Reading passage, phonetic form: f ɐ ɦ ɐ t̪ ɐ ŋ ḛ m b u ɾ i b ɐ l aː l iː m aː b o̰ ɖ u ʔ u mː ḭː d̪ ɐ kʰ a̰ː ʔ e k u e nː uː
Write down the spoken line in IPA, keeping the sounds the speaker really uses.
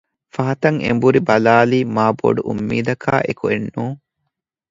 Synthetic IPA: f ɐ ɦ ɐ t̪ ɐ ŋ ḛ m b u ɾ i b ɐ l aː l iː m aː b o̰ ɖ u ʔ u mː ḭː d̪ ɐ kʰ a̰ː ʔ e k u e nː uː